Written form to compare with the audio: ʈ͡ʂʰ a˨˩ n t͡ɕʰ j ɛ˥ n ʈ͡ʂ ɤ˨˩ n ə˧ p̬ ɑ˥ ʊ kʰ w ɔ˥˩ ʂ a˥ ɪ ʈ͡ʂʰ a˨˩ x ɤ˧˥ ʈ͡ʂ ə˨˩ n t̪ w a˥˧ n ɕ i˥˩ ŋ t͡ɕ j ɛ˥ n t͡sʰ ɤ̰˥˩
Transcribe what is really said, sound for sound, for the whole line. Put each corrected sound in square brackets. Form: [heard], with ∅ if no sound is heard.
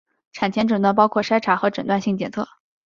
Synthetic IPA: ʈ͡ʂʰ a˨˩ n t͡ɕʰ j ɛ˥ n ʈ͡ʂ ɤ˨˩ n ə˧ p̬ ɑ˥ ʊ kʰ w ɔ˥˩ ʂ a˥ ɪ ʈ͡ʂʰ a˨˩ x ɤ˧˥ ʈ͡ʂ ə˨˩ n t̪ w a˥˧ n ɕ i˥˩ ŋ t͡ɕ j [ɛ˨˩] n t͡sʰ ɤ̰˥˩

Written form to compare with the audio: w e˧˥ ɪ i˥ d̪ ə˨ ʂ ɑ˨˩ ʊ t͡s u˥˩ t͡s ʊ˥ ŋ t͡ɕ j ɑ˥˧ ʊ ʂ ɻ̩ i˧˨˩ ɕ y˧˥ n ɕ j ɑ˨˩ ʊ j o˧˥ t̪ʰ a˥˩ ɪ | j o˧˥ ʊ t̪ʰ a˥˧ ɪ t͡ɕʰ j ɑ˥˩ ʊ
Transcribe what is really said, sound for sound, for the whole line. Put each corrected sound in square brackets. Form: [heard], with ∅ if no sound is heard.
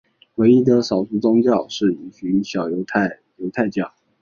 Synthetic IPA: w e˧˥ ɪ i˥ d̪ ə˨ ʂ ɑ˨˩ ʊ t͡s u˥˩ t͡s ʊ˥ ŋ t͡ɕ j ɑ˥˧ ʊ ʂ ɻ̩ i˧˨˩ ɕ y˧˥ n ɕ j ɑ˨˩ ʊ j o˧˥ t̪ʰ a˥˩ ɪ | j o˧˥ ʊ t̪ʰ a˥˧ ɪ [t͡ɕ] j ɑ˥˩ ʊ

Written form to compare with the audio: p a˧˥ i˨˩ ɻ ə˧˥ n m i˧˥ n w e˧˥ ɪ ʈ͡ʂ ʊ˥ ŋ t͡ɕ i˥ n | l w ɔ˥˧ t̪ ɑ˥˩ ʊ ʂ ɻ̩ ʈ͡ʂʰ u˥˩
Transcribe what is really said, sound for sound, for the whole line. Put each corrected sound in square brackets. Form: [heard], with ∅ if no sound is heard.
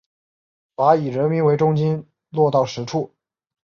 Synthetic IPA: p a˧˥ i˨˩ ɻ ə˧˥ n m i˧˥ n w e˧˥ ɪ ʈ͡ʂ ʊ˥ ŋ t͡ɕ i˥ n | l w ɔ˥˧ t̪ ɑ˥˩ ʊ ʂ ɻ̩ ʈ͡ʂʰ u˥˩

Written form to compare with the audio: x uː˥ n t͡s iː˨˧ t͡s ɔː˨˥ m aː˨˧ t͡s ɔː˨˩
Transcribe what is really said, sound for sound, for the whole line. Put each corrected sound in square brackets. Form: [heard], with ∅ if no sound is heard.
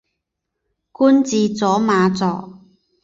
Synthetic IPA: [k] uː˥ n t͡s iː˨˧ t͡s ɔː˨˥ m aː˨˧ t͡s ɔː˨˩

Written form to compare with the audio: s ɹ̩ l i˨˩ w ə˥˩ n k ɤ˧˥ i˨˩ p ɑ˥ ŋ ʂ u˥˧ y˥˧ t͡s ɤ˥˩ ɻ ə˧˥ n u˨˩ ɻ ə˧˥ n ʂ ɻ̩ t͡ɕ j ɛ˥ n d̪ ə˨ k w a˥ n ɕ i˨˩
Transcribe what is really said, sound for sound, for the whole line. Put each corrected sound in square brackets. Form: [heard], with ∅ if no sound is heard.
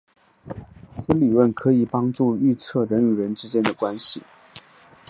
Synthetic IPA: s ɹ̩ l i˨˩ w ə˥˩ n [kʰ] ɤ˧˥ i˨˩ p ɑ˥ ŋ [ʈ͡ʂ] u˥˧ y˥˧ [t͡sʰ] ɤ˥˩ ɻ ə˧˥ n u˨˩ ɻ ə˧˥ n [ʈ͡ʂ] ɻ̩ t͡ɕ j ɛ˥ n d̪ ə˨ k w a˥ n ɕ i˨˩

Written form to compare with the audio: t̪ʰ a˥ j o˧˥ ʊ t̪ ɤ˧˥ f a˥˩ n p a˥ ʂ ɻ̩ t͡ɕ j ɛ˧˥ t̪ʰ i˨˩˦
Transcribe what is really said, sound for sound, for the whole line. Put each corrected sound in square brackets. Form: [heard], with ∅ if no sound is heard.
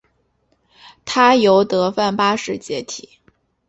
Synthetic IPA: t̪ʰ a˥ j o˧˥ ʊ t̪ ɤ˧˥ f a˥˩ n p a˥ ʂ ɻ̩ t͡ɕ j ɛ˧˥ t̪ʰ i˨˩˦

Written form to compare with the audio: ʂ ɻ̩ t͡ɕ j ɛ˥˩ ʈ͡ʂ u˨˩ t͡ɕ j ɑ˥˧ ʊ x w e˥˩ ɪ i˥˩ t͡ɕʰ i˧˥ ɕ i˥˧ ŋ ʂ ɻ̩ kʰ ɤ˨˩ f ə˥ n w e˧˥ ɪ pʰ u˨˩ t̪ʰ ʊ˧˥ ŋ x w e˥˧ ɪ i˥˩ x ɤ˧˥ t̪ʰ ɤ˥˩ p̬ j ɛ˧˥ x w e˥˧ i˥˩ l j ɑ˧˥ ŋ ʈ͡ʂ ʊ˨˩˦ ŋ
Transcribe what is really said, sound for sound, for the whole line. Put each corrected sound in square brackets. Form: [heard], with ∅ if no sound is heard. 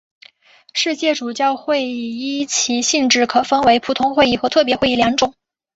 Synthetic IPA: ʂ ɻ̩ t͡ɕ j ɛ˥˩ ʈ͡ʂ u˨˩ t͡ɕ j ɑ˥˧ ʊ x w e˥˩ ɪ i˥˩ t͡ɕʰ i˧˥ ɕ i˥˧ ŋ [ʈ͡ʂ] ɻ̩ kʰ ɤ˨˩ f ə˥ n w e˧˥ ɪ pʰ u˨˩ t̪ʰ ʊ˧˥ ŋ x w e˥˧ ɪ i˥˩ x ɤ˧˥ t̪ʰ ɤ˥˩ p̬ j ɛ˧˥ x w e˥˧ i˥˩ l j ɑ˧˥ ŋ ʈ͡ʂ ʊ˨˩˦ ŋ

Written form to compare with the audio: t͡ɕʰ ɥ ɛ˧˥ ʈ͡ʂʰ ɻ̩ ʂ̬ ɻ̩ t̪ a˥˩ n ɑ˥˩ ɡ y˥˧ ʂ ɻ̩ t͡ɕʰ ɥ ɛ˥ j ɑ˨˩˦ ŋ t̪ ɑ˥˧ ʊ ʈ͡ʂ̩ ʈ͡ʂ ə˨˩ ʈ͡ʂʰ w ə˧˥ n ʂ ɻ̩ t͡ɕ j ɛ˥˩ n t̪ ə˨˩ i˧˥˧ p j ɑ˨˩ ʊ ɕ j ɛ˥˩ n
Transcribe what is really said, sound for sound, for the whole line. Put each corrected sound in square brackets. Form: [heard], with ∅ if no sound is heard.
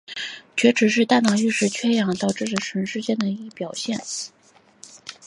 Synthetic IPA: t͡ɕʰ ɥ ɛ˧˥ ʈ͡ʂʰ ɻ̩ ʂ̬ ɻ̩ t̪ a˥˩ n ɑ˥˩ [ŋ] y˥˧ ʂ ɻ̩ t͡ɕʰ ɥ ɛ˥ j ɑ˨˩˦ ŋ t̪ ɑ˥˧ ʊ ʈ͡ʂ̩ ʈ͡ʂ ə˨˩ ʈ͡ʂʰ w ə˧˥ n ʂ ɻ̩ t͡ɕ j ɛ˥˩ n [d̪] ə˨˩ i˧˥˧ p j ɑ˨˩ ʊ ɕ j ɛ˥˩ n

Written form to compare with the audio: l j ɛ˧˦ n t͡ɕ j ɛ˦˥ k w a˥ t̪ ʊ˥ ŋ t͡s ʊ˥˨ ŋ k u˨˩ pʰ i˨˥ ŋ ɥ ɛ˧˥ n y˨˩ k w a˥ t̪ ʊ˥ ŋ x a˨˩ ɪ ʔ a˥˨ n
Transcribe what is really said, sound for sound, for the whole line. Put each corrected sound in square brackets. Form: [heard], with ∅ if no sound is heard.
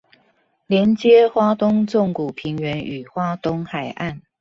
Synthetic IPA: l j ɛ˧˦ n t͡ɕ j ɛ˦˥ [x] w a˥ t̪ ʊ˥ ŋ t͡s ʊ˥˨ ŋ k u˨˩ pʰ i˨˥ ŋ ɥ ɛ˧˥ n y˨˩ [x] w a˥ t̪ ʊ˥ ŋ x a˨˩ ɪ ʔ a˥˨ n

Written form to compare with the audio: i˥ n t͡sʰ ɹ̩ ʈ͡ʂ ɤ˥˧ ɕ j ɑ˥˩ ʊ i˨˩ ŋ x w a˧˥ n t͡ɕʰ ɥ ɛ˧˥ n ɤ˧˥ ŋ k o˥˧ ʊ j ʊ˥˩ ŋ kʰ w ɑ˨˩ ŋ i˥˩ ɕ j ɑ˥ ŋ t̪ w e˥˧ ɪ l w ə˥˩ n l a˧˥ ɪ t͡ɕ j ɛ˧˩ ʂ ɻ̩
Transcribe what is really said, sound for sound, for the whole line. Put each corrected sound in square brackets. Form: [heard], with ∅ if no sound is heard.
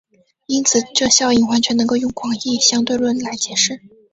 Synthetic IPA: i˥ n t͡sʰ ɹ̩ ʈ͡ʂ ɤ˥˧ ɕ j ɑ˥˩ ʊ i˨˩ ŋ x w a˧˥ n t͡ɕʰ ɥ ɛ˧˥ n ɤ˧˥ ŋ k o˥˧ ʊ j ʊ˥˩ ŋ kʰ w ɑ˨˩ ŋ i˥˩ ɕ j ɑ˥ ŋ t̪ w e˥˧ ɪ l w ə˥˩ n l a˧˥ ɪ t͡ɕ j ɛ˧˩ ʂ ɻ̩

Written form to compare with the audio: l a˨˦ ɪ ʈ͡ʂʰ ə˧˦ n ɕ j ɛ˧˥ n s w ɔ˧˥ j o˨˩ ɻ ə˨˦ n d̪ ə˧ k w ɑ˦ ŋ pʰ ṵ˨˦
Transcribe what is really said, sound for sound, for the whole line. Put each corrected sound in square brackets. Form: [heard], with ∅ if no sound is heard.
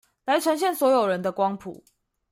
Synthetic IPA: l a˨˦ ɪ ʈ͡ʂʰ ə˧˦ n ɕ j [ɛ˥˨] n s w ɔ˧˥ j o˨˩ ɻ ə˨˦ n d̪ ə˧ k w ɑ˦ ŋ pʰ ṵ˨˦

